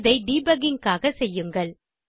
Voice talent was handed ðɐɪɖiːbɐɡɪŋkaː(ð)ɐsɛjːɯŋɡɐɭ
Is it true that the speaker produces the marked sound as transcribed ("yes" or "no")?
no